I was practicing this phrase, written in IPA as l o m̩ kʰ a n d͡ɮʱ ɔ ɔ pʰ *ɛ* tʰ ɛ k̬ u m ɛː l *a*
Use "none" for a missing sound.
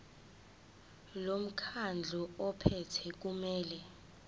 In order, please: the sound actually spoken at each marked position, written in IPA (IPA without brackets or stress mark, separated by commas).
ɛ, ɛ